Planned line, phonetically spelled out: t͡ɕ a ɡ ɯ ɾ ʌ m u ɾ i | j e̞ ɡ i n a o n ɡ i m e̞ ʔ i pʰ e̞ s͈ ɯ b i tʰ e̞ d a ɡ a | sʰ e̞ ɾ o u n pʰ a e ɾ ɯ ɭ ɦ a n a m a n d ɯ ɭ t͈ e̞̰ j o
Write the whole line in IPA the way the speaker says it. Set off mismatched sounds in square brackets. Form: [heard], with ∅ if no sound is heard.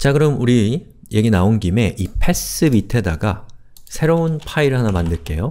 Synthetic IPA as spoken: t͡ɕ a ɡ ɯ ɾ ʌ m u ɾ i | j e̞ ɡ i n a o n ɡ i m e̞ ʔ i pʰ e̞ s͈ ɯ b i tʰ e̞ d a ɡ a | sʰ e̞ ɾ o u n pʰ a [i] ɾ ɯ ɭ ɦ a n a m a n d ɯ ɭ [k͈] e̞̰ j o